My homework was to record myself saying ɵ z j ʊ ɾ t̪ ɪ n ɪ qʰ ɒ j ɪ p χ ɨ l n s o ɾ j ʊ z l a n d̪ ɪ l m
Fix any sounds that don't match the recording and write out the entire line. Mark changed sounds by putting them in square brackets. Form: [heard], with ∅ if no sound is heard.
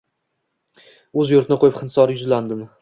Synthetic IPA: ɵ z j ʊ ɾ t̪ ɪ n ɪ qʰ [o] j ɪ p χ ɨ [∅] n s [ɒ] ɾ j ʊ z l a n d̪ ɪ [∅] m